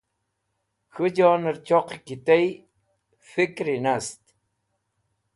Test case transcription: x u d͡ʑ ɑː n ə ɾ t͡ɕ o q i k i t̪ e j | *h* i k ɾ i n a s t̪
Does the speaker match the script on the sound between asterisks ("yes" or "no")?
no